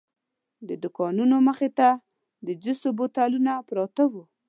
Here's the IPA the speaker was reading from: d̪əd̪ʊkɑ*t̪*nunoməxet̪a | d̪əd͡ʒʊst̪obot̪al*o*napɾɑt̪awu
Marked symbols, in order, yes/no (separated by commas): no, no